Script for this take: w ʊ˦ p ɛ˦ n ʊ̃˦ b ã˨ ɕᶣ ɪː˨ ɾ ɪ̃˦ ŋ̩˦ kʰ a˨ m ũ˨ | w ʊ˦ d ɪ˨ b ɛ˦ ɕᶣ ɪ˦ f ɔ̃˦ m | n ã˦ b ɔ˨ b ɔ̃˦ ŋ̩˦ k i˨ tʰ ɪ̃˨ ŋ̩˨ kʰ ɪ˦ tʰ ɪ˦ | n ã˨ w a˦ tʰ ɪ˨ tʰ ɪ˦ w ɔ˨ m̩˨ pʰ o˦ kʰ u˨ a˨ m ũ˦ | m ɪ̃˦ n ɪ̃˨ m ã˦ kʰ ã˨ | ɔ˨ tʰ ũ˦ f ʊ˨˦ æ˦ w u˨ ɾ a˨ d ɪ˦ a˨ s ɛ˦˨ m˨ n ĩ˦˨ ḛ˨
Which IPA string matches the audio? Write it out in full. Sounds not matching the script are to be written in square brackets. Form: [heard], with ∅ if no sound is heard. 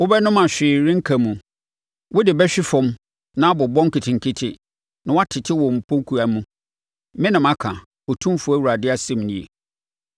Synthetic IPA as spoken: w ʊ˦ [b] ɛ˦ n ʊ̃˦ [m] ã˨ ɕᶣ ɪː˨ ɾ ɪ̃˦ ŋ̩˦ kʰ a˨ m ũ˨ | w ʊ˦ d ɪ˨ b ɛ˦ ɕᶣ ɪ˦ f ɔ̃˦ m | n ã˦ b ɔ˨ b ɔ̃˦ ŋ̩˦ k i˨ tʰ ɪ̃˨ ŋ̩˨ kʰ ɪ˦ tʰ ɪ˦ | n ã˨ w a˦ tʰ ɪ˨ tʰ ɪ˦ w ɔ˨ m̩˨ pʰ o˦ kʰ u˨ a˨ m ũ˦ | m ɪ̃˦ n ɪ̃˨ m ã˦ kʰ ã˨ | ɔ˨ tʰ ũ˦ f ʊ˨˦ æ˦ w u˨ ɾ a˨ d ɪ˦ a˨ s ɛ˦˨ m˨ n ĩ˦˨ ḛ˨

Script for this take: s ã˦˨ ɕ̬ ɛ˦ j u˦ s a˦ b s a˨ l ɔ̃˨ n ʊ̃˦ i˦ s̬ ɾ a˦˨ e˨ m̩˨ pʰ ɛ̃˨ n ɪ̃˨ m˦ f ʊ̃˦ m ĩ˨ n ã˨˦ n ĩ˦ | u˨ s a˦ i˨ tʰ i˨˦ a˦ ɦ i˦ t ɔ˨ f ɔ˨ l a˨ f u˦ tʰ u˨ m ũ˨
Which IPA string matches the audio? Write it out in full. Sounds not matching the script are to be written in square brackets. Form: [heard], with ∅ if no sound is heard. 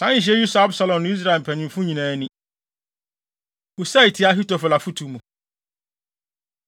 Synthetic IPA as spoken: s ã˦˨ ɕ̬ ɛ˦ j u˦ s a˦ b s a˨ l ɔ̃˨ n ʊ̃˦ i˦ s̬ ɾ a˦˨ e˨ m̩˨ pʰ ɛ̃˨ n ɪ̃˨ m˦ f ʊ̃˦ [ɲ] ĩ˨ n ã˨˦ n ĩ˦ | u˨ s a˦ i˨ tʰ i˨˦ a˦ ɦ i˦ t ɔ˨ f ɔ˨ l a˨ f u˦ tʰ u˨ m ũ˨

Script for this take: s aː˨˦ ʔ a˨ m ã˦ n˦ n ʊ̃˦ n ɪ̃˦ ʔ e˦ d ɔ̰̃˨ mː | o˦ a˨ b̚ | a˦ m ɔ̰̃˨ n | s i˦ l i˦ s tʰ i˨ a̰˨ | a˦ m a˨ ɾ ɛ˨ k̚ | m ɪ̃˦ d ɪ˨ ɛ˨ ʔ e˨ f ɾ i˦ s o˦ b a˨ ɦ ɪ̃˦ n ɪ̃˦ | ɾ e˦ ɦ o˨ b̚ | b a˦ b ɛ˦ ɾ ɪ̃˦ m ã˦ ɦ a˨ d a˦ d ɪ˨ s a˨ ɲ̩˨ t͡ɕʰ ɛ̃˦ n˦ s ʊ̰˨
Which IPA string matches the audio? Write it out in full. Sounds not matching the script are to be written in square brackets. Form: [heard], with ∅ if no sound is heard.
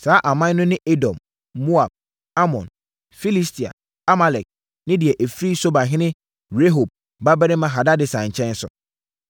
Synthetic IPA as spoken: s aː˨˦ ʔ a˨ m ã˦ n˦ n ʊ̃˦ n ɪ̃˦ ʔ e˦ d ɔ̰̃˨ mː | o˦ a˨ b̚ | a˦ m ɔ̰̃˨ n | [f] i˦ l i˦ s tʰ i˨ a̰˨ | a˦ m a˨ [l] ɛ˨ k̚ | [n] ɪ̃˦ d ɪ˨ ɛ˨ ʔ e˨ f ɾ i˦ s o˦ b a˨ ɦ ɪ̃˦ n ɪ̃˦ | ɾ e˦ ɦ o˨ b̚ | b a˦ b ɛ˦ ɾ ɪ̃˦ m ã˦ ɦ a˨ d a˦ d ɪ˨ s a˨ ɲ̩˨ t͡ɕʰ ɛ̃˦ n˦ s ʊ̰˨

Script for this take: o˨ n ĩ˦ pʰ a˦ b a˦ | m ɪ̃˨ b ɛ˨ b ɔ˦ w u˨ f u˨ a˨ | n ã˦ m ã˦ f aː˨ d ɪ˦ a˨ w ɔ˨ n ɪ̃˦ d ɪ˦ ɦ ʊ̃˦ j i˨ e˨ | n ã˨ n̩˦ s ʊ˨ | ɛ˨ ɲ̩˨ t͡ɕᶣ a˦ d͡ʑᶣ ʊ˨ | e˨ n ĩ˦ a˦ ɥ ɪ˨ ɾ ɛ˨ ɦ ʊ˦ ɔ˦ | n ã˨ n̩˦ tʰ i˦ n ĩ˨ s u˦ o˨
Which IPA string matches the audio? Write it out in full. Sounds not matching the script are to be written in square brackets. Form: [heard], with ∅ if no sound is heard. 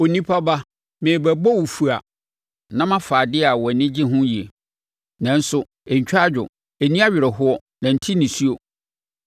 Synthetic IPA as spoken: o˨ n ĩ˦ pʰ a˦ b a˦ | m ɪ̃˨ b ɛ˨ b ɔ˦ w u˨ f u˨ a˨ | n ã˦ m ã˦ f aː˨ d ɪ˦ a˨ w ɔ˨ n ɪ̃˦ [d͡ʑ] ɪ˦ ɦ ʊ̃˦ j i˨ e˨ | n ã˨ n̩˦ s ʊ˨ | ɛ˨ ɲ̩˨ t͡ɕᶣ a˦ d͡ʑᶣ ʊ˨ | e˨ n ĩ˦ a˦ ɥ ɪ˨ ɾ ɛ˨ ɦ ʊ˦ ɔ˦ | n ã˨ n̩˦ tʰ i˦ n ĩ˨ s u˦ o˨

